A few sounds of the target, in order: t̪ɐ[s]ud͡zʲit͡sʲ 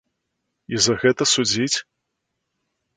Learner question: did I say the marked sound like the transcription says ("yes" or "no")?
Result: yes